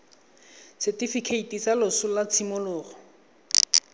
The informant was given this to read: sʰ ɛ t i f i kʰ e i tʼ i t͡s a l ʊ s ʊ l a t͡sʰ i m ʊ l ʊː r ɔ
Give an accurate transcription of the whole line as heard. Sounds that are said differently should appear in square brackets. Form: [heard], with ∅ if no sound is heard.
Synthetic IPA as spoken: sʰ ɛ t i f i kʰ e i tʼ i t͡s a l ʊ s ʊ l a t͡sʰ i m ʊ l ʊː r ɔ